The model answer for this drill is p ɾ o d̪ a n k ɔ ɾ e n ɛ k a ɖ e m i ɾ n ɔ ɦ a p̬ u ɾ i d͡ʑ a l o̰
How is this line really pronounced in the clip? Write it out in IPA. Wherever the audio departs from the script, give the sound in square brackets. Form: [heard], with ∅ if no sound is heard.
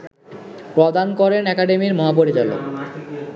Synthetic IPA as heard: p ɾ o d̪ a n k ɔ ɾ e n ɛ k a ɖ e m i ɾ [m] ɔ ɦ a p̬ [o] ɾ i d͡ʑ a l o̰